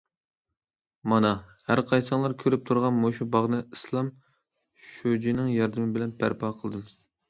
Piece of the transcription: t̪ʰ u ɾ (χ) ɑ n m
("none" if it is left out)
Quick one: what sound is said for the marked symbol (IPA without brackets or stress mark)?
ʁ